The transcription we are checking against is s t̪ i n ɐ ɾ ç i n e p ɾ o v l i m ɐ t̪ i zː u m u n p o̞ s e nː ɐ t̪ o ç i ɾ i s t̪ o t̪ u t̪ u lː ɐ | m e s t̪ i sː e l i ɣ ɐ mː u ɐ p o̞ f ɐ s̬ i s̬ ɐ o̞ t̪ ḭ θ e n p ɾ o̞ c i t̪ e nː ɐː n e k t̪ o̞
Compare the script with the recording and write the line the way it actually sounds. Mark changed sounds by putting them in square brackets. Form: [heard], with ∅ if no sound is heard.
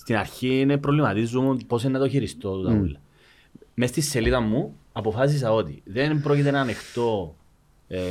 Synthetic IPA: s t̪ i n ɐ ɾ ç i n e p ɾ o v l i m ɐ t̪ i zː u m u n p o̞ s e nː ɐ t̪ o ç i ɾ i s t̪ o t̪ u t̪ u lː ɐ | m e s t̪ i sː e l i [ð] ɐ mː u ɐ p o̞ f ɐ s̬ i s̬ ɐ o̞ t̪ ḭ [ð] e n p ɾ o̞ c i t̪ e [n] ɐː n e [x] t̪ o̞